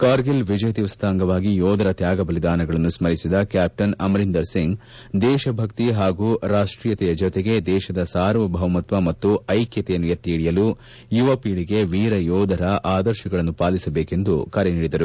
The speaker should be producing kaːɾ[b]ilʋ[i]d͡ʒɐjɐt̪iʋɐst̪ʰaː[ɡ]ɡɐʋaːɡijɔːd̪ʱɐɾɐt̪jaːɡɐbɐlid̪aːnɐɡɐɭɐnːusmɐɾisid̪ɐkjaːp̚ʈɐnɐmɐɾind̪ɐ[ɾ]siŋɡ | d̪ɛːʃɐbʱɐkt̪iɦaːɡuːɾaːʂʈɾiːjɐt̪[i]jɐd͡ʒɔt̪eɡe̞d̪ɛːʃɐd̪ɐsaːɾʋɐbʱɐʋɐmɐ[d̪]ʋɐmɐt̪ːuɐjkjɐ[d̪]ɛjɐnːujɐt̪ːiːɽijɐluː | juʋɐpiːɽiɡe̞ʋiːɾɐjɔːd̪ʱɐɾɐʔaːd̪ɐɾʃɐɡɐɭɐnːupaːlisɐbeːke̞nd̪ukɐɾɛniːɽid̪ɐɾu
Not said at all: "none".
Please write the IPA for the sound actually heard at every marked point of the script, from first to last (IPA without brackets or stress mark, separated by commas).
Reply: ɡ, i, ŋ, ɾ, ɛ, t̪, t̪